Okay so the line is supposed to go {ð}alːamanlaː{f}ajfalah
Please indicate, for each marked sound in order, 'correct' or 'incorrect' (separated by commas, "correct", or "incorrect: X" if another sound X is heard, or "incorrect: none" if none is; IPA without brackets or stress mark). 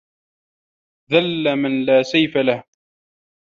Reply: correct, incorrect: s